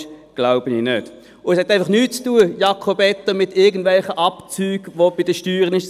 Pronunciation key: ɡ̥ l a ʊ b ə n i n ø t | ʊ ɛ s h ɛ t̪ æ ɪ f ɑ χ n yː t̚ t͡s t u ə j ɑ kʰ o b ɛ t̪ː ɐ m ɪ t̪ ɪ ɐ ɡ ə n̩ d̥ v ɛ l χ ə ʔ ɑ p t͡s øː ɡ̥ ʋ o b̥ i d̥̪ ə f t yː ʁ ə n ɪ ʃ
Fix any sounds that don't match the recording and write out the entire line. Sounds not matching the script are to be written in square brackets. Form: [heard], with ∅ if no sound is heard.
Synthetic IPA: ɡ̥ l a ʊ b ə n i n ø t | ʊ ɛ s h ɛ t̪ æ ɪ f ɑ χ n yː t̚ t͡s t u ə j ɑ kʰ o b ɛ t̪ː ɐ m ɪ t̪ ɪ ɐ ɡ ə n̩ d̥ v ɛ l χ ə ʔ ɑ p t͡s [yː] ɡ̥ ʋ o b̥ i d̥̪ ə [ʃ] t yː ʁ ə n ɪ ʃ